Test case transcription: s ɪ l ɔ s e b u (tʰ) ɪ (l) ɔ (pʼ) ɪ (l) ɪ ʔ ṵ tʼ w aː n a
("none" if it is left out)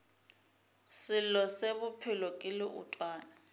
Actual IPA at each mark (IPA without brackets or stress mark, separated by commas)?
pʰ, l, kʼ, l